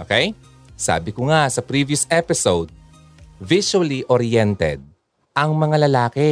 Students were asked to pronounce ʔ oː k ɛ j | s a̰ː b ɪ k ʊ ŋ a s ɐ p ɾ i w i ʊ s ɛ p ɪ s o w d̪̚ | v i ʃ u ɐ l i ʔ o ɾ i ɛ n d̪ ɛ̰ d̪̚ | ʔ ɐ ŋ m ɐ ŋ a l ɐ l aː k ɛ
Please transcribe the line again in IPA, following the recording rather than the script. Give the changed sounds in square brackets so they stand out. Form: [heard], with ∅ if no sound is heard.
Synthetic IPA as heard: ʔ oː k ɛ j | s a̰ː b ɪ k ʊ ŋ a s ɐ p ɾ i [v] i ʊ s ɛ p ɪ s o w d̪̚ | v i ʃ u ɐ l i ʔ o ɾ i ɛ n [t̪] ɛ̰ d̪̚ | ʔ ɐ ŋ m ɐ ŋ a l ɐ l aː k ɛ